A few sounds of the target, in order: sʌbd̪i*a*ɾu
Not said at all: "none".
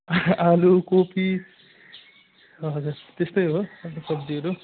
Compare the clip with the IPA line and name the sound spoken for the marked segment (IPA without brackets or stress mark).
ʌ